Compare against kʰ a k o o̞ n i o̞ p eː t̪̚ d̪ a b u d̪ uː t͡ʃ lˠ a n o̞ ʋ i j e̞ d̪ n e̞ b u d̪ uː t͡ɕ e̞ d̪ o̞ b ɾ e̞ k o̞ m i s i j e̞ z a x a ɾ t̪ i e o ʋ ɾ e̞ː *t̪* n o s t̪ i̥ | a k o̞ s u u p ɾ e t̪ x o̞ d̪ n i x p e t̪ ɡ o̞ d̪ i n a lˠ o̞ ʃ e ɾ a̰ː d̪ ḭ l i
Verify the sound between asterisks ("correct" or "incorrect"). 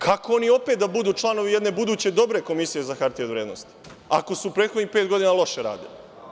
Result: incorrect